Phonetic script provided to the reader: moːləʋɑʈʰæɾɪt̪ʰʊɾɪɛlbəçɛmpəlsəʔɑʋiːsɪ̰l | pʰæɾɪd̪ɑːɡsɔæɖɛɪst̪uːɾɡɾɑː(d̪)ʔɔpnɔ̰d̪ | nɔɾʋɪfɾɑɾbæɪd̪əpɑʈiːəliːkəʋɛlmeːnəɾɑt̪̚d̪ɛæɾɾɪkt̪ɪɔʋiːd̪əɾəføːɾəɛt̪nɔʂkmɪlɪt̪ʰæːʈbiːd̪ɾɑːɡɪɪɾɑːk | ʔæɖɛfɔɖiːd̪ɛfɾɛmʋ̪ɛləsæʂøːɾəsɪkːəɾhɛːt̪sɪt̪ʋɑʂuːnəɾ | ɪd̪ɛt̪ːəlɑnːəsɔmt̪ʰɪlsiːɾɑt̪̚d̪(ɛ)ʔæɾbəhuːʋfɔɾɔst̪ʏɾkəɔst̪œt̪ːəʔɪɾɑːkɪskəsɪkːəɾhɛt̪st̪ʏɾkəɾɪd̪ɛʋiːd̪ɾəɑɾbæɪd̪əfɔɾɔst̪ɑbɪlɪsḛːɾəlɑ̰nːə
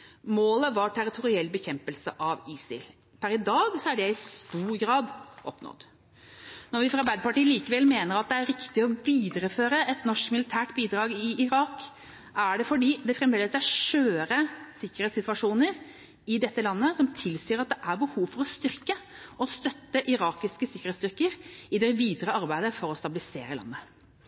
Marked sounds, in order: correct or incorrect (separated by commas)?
correct, correct